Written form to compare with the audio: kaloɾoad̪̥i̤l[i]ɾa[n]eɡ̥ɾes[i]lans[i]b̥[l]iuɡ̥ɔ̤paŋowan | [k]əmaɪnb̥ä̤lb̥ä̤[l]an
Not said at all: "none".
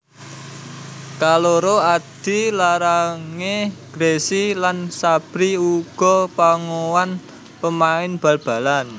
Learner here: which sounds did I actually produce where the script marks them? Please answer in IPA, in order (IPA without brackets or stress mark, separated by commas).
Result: a, ŋ, i, a, ɾ, p, l